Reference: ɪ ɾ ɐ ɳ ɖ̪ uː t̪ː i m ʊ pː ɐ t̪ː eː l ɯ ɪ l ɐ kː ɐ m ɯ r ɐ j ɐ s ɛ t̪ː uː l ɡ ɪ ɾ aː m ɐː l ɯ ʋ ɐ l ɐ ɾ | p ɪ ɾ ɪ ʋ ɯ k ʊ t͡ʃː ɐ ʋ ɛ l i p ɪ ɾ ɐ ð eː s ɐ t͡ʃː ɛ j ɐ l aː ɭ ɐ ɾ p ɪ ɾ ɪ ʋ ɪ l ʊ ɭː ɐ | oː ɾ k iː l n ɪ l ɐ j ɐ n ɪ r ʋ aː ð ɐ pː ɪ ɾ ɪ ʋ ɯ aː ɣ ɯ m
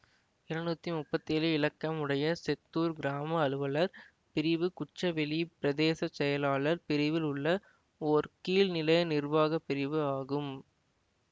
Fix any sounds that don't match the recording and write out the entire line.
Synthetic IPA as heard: ɪ ɾ ɐ ɳ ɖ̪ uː t̪ː i m ʊ pː ɐ t̪ː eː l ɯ ɪ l ɐ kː ɐ m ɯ ɽ ɐ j ɐ s ɛ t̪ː uː ɾ ɡ ɪ ɾ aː m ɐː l ɯ ʋ ɐ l ɐ ɾ | p ɪ ɾ ɪ ʋ ɯ k ʊ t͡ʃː ɐ ʋ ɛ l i p ɪ ɾ ɐ ð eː s ɐ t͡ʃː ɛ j ɐ l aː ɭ ɐ ɾ p ɪ ɾ ɪ ʋ ɪ l ʊ ɭː ɐ | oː ɾ k iː l n ɪ l ɐ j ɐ n ɪ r ʋ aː ɣ ɐ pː ɪ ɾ ɪ ʋ ɯ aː ɣ ɯ m

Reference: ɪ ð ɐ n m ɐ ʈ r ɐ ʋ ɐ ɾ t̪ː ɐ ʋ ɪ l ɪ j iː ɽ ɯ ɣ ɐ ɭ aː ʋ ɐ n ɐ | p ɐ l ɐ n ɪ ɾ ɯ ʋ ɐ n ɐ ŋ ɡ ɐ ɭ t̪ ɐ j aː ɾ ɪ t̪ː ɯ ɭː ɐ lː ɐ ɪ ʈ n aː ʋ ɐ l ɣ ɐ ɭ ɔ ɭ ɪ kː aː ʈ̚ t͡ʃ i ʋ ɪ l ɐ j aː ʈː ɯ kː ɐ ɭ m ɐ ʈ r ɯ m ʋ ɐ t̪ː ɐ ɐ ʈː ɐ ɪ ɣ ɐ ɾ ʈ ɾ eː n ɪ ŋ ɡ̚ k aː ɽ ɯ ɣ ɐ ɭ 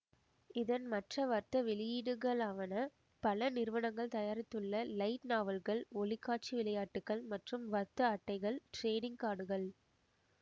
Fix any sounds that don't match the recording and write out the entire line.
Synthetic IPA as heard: ɪ ð ɐ n m ɐ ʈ r ɐ ʋ ɐ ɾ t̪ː ɐ ʋ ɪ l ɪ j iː ɽ ɯ ɣ ɐ ɭ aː ʋ ɐ n ɐ | p ɐ l ɐ n ɪ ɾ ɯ ʋ ɐ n ɐ ŋ ɡ ɐ ɭ t̪ ɐ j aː ɾ ɪ t̪ː ɯ ɭː ɐ l ɐ ɪ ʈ n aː ʋ ɐ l ɣ ɐ ɭ ɔ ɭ ɪ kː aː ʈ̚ t͡ʃ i ʋ ɪ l ɐ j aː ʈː ɯ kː ɐ ɭ m ɐ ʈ r ɯ m ʋ ɐ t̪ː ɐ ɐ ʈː ɐ ɪ ɣ ɐ ɭ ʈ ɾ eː n ɪ ŋ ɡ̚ k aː ɽ ɯ ɣ ɐ ɭ

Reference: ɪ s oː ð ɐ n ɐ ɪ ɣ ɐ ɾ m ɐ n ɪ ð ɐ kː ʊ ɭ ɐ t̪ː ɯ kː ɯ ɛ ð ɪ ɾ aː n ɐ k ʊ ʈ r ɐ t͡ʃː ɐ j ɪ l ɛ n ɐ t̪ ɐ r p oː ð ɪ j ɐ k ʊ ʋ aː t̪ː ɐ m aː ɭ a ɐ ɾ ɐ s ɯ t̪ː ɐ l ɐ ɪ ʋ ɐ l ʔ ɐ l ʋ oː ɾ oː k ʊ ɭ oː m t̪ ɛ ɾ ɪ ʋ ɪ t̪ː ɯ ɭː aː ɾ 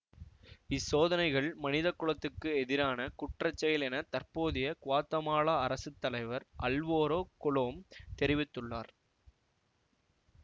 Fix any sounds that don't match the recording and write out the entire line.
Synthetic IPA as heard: ɪ s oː ð ɐ n ɐ ɪ ɣ ɐ ɭ m ɐ n ɪ ð ɐ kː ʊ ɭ ɐ t̪ː ɯ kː ɯ ɛ ð ɪ ɾ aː n ɐ k ʊ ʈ r ɐ t͡ʃː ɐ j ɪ l ɛ n ɐ t̪ ɐ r p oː ð ɪ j ɐ k ʊ ʋ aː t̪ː ɐ m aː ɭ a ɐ ɾ ɐ s ɯ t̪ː ɐ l ɐ ɪ ʋ ɐ ɾ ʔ ɐ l ʋ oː ɾ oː k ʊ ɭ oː m t̪ ɛ ɾ ɪ ʋ ɪ t̪ː ɯ ɭː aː ɾ

